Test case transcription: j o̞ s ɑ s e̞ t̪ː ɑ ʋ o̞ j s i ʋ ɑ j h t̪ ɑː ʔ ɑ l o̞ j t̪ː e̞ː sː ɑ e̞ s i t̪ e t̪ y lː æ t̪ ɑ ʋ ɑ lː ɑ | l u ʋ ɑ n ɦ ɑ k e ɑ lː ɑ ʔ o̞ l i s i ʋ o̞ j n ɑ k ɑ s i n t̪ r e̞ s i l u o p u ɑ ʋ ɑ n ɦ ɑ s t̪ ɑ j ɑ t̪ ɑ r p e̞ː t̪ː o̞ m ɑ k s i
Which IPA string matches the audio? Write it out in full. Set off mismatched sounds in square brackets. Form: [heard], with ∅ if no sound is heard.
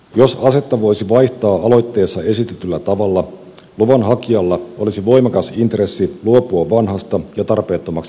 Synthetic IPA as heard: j o̞ s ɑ s e̞ t̪ː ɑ ʋ o̞ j s i ʋ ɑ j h t̪ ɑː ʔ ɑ l o̞ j t̪ː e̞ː sː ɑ e̞ s i t̪ e t̪ y lː æ t̪ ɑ ʋ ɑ lː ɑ | l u ʋ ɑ n ɦ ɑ k [i] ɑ lː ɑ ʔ o̞ l i s i ʋ o̞ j [m] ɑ k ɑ s i n t̪ r e̞ [sː] i l u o p u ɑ ʋ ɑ n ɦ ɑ s t̪ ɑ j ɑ t̪ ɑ r p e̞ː t̪ː o̞ m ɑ k s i